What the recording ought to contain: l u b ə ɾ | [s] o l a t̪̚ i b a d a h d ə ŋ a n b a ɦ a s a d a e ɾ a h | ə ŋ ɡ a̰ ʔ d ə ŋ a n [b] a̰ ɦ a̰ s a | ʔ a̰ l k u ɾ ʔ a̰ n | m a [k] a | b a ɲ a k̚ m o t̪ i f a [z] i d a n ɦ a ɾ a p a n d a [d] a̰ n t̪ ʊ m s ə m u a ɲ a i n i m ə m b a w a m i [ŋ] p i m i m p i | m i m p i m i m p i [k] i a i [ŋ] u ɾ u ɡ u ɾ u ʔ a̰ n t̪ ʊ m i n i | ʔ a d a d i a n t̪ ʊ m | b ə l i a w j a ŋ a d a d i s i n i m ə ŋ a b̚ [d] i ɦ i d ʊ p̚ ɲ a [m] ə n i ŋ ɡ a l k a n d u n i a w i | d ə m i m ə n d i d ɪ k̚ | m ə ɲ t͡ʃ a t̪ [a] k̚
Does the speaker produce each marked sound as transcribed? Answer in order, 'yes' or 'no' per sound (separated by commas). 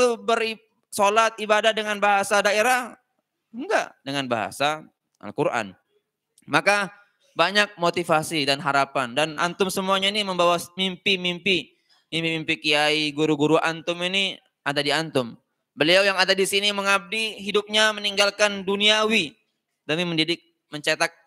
yes, yes, yes, no, no, no, yes, no, yes, yes, yes